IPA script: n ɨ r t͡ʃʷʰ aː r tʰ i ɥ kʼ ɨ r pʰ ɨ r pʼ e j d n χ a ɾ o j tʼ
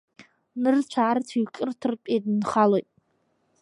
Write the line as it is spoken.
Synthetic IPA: n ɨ r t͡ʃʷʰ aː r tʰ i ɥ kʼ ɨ r tʰ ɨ r pʼ e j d n χ a l o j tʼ